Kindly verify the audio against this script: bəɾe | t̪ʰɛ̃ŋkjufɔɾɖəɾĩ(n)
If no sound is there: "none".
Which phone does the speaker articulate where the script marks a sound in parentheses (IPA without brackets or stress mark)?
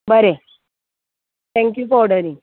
ŋ